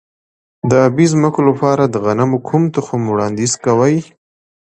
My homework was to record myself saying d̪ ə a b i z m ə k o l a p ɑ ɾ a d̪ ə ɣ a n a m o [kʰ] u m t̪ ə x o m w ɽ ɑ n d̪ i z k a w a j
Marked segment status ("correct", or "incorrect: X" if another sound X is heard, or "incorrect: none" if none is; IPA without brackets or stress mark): correct